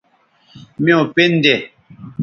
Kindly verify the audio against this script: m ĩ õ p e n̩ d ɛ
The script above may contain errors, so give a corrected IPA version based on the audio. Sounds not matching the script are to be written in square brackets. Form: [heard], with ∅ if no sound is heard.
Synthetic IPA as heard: m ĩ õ p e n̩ d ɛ